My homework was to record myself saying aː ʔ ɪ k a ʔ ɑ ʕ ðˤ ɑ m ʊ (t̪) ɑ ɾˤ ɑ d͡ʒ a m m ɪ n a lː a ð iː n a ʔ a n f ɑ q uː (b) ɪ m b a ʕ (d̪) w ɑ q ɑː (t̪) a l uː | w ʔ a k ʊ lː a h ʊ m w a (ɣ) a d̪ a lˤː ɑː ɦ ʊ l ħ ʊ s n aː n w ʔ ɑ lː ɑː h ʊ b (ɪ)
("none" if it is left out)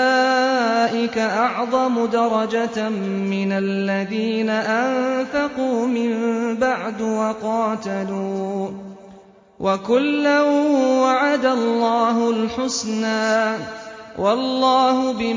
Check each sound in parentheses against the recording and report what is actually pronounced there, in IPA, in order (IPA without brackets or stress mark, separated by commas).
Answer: d̪, m, d̪, t̪, ʕ, ɪ